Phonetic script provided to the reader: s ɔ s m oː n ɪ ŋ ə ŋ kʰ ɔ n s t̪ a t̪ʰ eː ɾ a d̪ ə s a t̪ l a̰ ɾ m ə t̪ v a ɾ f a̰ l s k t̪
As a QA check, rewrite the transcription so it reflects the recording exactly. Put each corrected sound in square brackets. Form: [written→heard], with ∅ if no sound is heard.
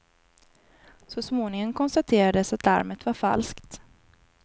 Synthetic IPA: s ɔ s m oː n ɪ ŋ ə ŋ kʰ ɔ n s t̪ a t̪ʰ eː ɾ a d̪ ə s a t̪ l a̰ ɾ m ə t̪ v a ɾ f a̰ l s k t̪